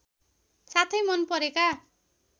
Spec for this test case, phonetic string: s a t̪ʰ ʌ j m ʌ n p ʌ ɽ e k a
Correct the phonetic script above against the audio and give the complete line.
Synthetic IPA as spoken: s a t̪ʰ ʌ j m ʌ n p ʌ ɾ e k a